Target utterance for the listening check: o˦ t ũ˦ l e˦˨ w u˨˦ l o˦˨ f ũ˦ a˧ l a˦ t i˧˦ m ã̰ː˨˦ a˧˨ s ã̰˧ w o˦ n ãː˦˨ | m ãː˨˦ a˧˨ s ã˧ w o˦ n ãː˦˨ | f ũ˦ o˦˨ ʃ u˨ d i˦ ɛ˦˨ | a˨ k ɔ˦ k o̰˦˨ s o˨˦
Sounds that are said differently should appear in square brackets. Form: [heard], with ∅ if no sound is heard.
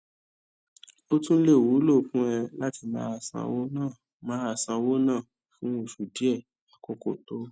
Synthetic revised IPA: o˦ t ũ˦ l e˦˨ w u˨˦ l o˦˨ f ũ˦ [ɛ˧] l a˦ t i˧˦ m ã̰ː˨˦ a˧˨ s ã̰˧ w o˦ n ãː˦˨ | m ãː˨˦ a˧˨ s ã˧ w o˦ n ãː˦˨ | f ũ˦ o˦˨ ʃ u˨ d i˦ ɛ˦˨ | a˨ k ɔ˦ k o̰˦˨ [t] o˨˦

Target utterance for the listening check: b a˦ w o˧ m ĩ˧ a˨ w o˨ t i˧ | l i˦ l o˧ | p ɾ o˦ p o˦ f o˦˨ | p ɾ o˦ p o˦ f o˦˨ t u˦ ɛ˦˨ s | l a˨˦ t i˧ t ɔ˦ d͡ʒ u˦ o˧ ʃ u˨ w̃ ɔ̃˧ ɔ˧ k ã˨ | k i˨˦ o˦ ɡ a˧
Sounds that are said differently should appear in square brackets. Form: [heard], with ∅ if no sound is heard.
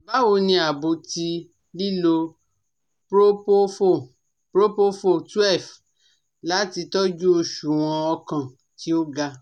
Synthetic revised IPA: b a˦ w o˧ [n] ĩ˧ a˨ [b] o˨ t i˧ | l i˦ l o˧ | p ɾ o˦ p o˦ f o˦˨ | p ɾ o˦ p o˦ f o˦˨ t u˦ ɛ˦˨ [f] | l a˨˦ t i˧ t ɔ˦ d͡ʒ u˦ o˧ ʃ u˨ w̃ ɔ̃˧ ɔ˧ k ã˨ | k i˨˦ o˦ ɡ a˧

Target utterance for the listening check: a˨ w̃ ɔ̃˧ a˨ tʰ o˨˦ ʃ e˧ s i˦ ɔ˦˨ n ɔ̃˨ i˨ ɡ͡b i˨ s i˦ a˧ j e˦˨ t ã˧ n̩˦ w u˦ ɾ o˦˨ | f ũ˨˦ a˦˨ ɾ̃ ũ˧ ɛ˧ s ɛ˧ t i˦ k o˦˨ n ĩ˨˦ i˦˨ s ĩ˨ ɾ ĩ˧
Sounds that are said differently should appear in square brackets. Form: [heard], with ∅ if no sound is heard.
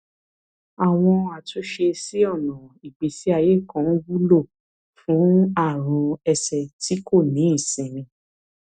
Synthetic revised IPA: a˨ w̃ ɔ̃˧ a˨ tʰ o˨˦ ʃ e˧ s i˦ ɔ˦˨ n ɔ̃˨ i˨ ɡ͡b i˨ s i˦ a˧ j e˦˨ [k] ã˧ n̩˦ w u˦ [l] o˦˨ | f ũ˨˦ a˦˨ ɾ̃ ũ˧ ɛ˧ s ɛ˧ t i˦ k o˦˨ n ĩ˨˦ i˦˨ s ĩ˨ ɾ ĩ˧

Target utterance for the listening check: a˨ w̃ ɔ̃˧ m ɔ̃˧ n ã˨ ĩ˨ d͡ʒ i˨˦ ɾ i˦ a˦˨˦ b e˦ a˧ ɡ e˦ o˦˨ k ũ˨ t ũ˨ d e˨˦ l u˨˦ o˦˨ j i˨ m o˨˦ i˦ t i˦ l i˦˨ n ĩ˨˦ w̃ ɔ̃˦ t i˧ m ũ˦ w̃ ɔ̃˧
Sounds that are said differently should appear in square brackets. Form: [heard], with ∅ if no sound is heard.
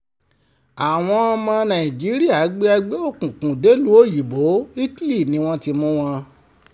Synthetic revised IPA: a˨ w̃ ɔ̃˧ m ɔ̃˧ n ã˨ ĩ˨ d͡ʒ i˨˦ ɾ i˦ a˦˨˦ [ɡ͡b] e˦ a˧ [ɡ͡b] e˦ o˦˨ k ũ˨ [k] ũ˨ d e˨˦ l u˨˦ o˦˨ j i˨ [b] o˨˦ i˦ t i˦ l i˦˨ n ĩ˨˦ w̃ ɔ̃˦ t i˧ m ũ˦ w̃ ɔ̃˧

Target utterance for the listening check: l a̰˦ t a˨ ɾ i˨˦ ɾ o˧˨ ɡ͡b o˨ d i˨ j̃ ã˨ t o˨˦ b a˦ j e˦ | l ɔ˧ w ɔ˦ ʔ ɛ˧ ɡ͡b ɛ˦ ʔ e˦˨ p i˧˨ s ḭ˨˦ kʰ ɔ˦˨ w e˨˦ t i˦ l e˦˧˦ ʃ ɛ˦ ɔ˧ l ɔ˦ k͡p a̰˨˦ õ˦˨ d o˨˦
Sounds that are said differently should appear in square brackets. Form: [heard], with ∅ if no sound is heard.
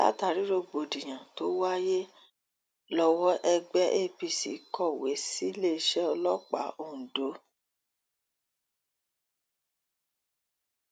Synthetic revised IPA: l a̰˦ t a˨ ɾ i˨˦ ɾ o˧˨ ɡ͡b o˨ d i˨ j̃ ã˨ t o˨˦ [w] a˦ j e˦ | l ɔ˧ w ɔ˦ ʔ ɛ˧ ɡ͡b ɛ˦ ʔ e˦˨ p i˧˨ s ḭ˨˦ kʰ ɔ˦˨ w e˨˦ [s] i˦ l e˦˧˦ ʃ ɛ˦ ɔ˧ l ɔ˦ k͡p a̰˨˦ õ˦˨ d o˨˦

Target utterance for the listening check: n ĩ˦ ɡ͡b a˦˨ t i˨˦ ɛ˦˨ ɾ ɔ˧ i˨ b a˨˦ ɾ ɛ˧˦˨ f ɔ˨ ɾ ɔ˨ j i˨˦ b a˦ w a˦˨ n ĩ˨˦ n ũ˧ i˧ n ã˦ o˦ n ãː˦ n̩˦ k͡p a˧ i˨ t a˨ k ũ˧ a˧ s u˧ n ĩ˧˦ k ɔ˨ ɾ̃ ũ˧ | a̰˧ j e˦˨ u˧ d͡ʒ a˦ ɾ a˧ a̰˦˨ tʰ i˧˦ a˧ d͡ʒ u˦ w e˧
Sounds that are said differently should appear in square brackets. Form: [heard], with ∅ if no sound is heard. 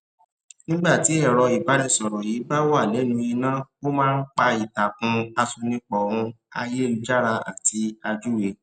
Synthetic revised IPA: n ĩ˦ ɡ͡b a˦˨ t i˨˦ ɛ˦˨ ɾ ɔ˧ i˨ b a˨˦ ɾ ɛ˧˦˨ [s] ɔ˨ ɾ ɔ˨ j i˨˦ b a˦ w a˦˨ n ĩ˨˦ n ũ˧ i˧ n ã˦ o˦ [m] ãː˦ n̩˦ k͡p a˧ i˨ t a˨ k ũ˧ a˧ s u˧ n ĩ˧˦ [k͡p] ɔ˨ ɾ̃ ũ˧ | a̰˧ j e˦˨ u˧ d͡ʒ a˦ ɾ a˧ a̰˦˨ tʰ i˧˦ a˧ d͡ʒ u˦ w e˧

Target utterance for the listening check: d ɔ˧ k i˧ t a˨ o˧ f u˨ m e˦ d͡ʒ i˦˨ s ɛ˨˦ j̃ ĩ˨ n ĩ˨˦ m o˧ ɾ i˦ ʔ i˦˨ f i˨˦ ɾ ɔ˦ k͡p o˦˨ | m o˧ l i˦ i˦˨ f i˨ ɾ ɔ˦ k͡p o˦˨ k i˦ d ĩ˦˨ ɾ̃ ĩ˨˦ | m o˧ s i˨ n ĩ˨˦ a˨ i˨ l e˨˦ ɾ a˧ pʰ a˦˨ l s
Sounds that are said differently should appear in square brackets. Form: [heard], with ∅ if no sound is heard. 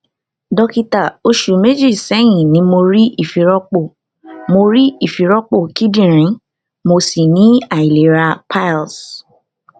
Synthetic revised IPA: d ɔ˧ k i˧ t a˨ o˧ [ʃ] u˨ m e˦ d͡ʒ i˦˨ s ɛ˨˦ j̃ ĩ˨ n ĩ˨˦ m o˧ ɾ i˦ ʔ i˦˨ f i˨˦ ɾ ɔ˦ k͡p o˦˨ | m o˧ [ɾ] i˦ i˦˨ f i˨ ɾ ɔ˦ k͡p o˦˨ k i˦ d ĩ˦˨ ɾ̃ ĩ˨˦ | m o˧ s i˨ n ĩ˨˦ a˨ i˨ l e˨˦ ɾ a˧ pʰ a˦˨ l s

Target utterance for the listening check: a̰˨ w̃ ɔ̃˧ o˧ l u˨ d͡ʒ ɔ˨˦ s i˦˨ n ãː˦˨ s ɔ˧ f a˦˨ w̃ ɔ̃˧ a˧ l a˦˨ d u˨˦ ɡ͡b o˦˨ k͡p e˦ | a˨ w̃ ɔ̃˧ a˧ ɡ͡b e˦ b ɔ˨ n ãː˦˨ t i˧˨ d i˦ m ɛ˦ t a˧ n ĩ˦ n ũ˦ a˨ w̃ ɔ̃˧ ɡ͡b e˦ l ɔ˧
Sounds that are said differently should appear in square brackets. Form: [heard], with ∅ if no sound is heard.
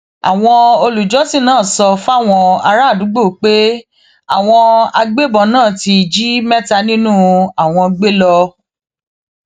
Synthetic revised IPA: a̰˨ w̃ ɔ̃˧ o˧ l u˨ d͡ʒ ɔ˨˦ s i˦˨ n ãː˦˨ s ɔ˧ f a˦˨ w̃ ɔ̃˧ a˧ [ɾ] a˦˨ d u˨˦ ɡ͡b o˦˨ k͡p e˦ | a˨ w̃ ɔ̃˧ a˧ ɡ͡b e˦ b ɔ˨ n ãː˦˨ t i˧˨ [d͡ʒ] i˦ m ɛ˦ t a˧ n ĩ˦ n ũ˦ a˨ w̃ ɔ̃˧ ɡ͡b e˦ l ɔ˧

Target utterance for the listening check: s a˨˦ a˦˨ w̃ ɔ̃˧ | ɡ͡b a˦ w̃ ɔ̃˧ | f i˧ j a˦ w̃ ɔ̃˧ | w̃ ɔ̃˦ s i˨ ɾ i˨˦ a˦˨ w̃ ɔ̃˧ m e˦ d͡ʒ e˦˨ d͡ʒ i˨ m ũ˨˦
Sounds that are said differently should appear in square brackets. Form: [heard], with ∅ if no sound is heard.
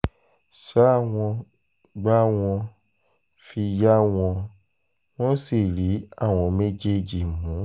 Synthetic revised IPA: s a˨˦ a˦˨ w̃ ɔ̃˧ | ɡ͡b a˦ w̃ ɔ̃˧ | f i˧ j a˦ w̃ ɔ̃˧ | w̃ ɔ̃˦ s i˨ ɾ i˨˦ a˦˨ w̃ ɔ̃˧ m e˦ d͡ʒ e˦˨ d͡ʒ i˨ m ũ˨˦

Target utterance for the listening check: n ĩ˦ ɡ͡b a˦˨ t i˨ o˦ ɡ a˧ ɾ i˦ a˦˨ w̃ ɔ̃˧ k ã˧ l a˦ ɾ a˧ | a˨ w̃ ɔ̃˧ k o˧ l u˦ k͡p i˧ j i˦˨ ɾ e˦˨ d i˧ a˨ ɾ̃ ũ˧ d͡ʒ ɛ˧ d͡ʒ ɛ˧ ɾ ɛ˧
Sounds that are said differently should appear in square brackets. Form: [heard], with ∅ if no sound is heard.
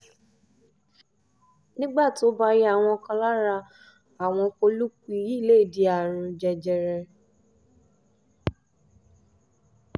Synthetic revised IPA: n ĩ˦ ɡ͡b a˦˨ t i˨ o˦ [b] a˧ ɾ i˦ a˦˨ w̃ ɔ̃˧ k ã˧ l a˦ ɾ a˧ | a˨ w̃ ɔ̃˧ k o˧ l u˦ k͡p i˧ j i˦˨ [l] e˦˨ d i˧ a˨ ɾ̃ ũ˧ d͡ʒ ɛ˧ d͡ʒ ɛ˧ ɾ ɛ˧

